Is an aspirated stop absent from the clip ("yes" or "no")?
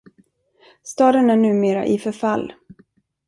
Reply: yes